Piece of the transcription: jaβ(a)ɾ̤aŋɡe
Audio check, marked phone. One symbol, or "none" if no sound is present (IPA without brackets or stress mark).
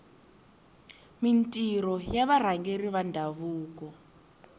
a